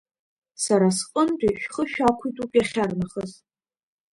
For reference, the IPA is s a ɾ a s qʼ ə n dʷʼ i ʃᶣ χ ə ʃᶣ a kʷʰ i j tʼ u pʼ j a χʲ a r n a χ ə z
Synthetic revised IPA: s a ɾ a s qʼ ə n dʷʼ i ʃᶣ χ ə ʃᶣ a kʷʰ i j tʼ u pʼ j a χʲ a r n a χ ə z

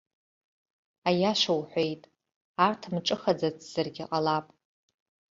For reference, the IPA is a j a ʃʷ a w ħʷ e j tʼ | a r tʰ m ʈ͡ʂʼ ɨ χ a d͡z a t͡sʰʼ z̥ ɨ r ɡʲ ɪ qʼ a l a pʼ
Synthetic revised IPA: a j a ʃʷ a w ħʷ e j tʼ | a r tʰ m ʈ͡ʂʼ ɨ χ a d͡z a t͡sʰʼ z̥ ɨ r ɡʲ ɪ qʼ a l a pʼ

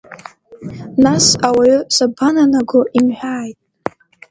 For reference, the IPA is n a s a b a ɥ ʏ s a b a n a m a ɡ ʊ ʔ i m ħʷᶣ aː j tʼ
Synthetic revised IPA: n a s a w a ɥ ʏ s a b a n a n a ɡ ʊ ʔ i m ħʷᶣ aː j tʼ

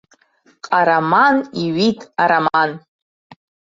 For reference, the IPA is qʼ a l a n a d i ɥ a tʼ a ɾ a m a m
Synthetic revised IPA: qʼ a ɾ a m a n i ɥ i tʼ a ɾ a m a n

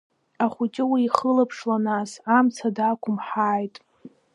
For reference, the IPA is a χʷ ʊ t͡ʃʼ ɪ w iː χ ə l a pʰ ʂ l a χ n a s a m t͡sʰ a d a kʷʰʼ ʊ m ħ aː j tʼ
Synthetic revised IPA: a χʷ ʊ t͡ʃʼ ɪ w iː χ ə l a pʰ ʂ l a n a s a m t͡sʰ a d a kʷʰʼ ʊ m ħ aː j tʼ

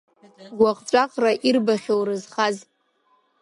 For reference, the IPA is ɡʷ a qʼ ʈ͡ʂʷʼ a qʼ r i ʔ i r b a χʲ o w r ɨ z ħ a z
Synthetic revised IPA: ɡʷ a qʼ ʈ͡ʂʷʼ a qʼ r a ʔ i r b a χʲ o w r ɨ z χ a z

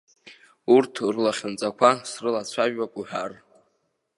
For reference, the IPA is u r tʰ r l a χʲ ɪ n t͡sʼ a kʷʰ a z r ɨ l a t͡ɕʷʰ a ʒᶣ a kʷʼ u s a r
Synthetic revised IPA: u r tʰ r l a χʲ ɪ n t͡sʼ a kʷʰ a s r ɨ l a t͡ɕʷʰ a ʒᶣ a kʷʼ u ħ a r

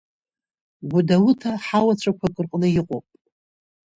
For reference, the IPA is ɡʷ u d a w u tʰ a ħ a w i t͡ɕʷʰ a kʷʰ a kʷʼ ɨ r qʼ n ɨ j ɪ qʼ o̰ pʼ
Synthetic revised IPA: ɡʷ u d a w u tʰ a ħ a w a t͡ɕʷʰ a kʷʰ a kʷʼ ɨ r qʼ n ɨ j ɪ qʼ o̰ pʼ

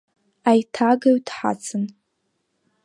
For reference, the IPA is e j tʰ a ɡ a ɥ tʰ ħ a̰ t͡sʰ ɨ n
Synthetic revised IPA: a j tʰ a ɡ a ɥ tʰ ħ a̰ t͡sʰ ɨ n

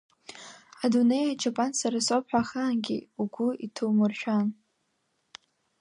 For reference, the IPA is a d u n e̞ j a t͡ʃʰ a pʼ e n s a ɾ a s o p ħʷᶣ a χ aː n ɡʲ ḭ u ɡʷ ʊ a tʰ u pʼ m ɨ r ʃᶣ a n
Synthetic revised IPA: a d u n e̞ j a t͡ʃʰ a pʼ a n s a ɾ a s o p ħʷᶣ a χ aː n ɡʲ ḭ u ɡʷ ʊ i tʰ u m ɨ r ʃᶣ a n

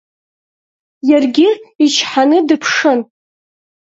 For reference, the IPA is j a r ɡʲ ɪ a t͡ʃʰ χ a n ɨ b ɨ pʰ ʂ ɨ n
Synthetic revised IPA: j a r ɡʲ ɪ i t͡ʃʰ ħ a n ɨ d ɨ pʰ ʂ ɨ n

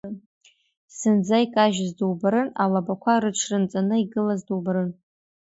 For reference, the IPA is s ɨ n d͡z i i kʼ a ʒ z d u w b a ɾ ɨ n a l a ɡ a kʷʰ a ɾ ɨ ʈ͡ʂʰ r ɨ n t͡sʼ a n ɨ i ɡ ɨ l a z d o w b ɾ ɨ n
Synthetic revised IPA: s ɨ n d͡z a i kʼ a ʒ z d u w b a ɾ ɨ n a l a b a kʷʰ a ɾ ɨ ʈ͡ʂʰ r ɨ n t͡sʼ a n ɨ i ɡ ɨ l a z d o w b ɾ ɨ n

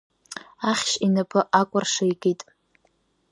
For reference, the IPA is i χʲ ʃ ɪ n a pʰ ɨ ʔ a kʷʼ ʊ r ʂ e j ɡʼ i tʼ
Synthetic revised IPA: a χʲ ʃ i n a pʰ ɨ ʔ a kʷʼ ʊ r ʂ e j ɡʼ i tʼ

